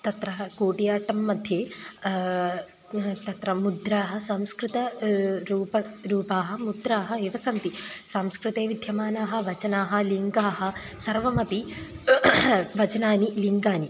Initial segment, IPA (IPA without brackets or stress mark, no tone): t̪